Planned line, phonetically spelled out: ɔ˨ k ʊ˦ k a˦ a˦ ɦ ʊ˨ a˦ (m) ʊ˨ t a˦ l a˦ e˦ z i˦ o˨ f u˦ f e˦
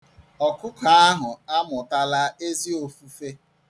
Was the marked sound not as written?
no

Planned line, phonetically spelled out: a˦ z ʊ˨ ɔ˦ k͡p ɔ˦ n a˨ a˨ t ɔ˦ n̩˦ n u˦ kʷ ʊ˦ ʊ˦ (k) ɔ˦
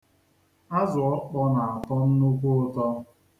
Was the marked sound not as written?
yes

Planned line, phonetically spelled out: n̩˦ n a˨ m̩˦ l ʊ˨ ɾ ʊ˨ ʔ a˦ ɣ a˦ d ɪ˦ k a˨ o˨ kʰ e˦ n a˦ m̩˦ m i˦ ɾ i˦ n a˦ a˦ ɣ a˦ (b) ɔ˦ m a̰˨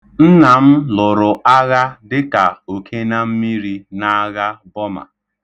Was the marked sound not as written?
no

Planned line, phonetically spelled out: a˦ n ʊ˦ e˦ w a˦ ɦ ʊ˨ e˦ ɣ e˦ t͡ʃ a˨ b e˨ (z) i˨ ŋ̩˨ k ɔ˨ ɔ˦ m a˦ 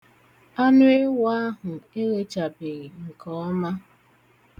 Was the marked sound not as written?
yes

